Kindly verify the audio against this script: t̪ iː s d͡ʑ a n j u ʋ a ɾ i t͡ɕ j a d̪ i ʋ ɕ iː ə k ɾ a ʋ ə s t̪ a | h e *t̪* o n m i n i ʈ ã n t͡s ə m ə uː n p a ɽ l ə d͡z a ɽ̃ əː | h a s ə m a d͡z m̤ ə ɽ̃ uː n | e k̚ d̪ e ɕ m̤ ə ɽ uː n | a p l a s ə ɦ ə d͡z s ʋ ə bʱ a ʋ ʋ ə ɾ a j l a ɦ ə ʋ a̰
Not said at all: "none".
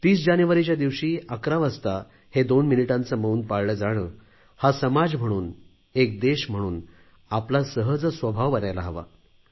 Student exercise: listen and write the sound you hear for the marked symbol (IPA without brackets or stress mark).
d̪